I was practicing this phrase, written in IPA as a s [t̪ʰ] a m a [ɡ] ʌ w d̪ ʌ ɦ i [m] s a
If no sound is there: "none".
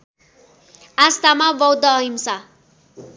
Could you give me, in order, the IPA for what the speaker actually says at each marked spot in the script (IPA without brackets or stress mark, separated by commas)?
t̪, b, m